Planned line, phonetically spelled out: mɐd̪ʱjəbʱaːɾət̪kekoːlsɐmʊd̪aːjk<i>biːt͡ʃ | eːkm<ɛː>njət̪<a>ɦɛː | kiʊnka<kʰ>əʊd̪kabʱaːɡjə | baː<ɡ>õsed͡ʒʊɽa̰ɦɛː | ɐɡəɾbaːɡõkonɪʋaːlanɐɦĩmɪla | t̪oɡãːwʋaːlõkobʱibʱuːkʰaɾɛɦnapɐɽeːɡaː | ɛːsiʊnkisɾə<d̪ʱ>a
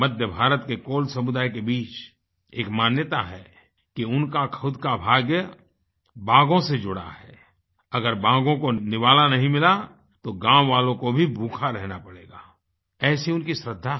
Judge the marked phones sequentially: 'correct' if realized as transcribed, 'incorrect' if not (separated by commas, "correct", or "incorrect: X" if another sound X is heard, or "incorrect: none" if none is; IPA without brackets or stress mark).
incorrect: e, incorrect: aː, correct, correct, correct, incorrect: d̪ʱː